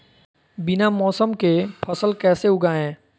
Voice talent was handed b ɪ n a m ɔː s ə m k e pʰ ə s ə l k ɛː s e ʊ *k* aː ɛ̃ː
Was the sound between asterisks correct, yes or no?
no